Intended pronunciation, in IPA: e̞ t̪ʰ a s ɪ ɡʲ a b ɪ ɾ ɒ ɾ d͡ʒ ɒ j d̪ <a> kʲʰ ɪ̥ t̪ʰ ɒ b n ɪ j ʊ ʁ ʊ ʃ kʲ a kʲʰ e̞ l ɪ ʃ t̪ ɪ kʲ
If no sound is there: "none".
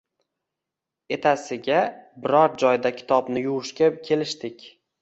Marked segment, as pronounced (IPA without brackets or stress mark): a